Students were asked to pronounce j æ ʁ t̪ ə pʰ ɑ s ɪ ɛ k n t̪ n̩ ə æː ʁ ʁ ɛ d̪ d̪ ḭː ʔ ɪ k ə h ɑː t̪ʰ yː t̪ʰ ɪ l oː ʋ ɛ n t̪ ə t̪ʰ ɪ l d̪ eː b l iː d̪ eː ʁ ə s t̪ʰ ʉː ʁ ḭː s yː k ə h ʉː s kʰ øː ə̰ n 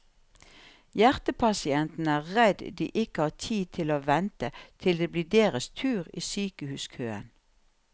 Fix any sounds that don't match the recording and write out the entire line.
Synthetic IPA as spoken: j æ ʁ t̪ ə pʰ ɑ s ɪ ɛ n t̪ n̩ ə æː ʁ ʁ ɛ d̪ d̪ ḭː ʔ ɪ k ə h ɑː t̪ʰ iː t̪ʰ ɪ l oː ʋ ɛ n t̪ ə t̪ʰ ɪ l d̪ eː b l iː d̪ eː ʁ ə s t̪ʰ ʉː ʁ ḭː s yː k ə h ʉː s kʰ øː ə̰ n